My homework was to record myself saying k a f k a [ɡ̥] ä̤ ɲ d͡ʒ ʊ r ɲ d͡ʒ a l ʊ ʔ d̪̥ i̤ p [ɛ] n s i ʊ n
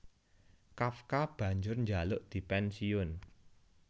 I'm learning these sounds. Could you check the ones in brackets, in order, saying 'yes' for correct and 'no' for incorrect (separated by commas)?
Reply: no, yes